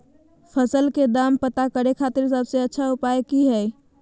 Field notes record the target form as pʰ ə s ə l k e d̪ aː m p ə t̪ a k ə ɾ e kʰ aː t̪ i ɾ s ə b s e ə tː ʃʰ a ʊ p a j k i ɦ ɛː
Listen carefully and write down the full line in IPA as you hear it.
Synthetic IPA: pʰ ə s ə l k e d̪ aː m p ə t̪ a k ə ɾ e kʰ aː t̪ ɪ ɾ s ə b s e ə tː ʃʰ a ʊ p a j k i ɦ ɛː